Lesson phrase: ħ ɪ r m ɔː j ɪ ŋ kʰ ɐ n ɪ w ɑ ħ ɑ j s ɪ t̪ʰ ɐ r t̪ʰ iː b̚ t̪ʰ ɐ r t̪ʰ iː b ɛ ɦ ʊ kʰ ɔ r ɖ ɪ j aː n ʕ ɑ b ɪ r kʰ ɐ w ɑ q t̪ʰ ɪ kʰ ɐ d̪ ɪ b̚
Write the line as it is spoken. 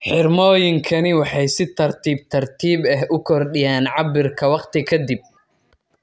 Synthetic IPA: ħ ɪ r m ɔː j ɪ ŋ kʰ ɐ n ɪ w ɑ ħ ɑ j s ɪ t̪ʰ ɐ r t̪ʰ iː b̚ t̪ʰ ɐ r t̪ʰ iː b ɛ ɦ ʊ kʰ ɔ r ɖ ɪ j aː n ʕ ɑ b ɪ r kʰ ɐ w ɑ q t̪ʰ ɪ kʰ ɐ d̪ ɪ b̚